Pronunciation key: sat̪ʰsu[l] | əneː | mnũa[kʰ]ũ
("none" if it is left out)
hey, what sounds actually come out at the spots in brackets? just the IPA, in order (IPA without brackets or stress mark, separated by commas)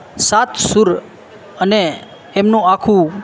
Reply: ɾ, kʰ